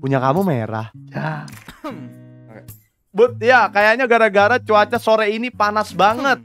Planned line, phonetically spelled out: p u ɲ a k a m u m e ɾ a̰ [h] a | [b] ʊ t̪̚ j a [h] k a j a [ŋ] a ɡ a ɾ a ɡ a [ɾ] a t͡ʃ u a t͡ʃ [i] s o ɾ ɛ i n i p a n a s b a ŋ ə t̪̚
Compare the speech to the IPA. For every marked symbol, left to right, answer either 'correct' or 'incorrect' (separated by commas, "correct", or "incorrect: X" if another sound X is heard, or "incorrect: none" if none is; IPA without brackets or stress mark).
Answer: correct, correct, incorrect: none, incorrect: ɲ, correct, incorrect: a